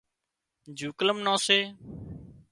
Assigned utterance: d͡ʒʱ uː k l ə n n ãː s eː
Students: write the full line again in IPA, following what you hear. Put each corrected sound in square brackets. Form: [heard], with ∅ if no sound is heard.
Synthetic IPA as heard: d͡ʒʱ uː k l ə [m] n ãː s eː